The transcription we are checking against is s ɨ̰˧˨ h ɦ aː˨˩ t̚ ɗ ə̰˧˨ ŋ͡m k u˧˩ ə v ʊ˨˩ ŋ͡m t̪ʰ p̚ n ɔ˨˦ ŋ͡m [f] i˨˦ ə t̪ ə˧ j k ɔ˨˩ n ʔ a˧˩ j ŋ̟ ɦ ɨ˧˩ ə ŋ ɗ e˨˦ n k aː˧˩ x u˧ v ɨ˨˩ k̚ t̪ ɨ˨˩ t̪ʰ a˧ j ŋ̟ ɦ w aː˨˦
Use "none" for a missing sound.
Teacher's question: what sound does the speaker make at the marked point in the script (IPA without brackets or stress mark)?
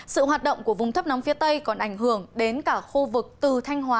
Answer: f